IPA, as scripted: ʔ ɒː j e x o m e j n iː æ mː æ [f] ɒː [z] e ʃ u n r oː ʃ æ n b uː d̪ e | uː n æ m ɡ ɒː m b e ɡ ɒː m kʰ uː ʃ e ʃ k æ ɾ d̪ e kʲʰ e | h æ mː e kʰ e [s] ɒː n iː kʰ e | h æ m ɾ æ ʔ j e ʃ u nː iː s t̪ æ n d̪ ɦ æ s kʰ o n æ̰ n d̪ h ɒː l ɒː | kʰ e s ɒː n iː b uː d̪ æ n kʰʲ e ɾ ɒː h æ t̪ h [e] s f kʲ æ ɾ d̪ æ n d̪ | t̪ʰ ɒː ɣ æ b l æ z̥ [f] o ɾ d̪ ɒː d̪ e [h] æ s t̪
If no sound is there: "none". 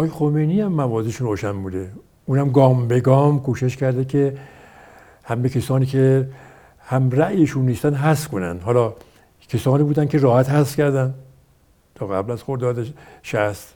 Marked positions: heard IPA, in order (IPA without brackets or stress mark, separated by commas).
v, z, s, æ, x, ʃ